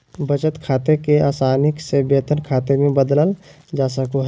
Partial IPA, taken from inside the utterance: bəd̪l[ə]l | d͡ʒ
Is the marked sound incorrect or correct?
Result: correct